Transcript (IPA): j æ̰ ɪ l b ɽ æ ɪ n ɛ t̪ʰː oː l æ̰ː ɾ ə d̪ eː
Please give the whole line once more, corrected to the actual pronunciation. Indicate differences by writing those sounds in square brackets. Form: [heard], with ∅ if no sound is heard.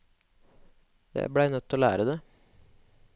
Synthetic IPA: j æ̰ ɪ [∅] b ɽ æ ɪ n [œ] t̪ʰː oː l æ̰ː ɾ ə d̪ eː